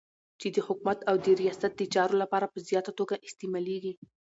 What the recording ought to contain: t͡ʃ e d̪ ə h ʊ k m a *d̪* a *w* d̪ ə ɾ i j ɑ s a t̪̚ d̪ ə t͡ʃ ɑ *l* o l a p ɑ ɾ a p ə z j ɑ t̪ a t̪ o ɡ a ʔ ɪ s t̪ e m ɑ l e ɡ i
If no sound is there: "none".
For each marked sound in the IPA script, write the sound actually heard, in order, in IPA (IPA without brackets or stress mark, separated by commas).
t̪, w, ɾ